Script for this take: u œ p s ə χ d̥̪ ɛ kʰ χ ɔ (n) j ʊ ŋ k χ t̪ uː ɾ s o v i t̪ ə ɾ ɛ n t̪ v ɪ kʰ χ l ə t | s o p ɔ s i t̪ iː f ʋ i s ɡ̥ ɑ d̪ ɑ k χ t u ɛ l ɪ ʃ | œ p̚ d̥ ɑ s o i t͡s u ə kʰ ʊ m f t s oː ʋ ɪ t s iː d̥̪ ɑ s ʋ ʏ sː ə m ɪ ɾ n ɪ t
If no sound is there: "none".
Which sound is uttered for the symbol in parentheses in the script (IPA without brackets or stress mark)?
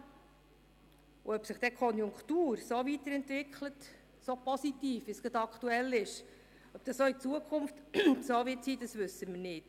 n